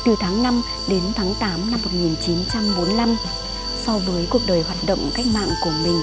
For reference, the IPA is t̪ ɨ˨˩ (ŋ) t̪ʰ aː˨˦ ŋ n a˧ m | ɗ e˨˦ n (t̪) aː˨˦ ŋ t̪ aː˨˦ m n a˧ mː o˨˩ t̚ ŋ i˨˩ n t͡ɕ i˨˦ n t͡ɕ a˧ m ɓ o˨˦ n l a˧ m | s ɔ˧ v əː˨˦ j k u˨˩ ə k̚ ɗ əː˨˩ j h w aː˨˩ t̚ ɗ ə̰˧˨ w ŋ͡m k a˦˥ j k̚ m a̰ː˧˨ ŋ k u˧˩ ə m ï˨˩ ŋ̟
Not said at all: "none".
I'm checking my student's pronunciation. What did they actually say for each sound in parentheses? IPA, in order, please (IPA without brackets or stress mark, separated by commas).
none, t̪ʰ